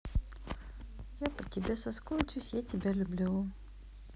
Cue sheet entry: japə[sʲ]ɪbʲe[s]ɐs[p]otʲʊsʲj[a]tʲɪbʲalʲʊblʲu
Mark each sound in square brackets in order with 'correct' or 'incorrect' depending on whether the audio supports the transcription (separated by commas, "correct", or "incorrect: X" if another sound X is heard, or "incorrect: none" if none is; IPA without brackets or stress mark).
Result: incorrect: tʲ, correct, incorrect: k, correct